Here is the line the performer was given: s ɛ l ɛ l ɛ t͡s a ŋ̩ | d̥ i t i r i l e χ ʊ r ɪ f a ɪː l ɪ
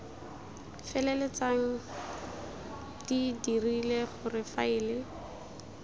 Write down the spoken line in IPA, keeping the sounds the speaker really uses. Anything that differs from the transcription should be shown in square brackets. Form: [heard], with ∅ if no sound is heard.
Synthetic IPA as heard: [f] ɛ l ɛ l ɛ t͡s a ŋ̩ | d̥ i [d] i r i l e χ ʊ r ɪ f a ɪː l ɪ